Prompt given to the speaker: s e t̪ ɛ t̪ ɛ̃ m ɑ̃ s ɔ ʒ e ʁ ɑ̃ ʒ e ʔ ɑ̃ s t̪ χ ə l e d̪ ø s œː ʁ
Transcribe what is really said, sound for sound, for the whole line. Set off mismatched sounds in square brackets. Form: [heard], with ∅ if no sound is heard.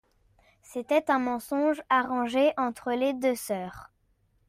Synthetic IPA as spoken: s e t̪ ɛ t̪ ɛ̃ m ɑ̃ s [ɔ̃] ʒ [a] ʁ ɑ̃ ʒ e ʔ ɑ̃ [∅] t̪ χ ə l e d̪ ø s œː ʁ